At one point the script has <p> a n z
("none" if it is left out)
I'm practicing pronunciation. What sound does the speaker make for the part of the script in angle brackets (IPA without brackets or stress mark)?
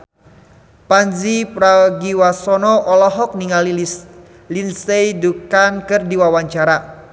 p